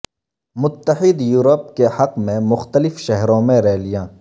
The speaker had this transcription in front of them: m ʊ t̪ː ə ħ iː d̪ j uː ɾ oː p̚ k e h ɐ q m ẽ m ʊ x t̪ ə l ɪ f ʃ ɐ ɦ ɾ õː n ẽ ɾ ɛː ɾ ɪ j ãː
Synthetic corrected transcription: m ʊ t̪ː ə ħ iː d̪ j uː ɾ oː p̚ k e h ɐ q m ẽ m ʊ x t̪ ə l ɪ f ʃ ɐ ɦ ɾ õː m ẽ ɾ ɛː l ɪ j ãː